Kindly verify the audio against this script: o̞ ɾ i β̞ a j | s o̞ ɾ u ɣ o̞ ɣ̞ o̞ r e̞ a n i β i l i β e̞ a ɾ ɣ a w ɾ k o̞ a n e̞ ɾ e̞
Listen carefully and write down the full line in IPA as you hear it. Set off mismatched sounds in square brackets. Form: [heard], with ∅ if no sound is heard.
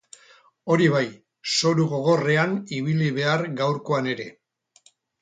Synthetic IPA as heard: o̞ ɾ i β̞ a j | s o̞ ɾ u ɣ o̞ ɣ̞ o̞ r e̞ a n i β i l i β e̞ a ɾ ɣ a w ɾ k o̞ a n e̞ ɾ e̞